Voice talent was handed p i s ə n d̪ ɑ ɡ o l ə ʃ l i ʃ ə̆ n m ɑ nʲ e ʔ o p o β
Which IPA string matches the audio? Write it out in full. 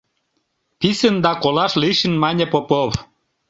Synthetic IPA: p i s ə n d̪ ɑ k o l ɑ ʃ l i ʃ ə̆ n m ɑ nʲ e p o p o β